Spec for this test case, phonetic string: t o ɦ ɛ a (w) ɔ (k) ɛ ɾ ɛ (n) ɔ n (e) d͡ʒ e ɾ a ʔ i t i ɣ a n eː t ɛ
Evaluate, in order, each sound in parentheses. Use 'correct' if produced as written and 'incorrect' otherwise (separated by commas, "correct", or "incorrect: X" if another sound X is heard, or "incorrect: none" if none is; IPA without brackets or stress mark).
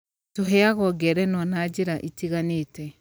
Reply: incorrect: ɣ, incorrect: ɡ, correct, incorrect: a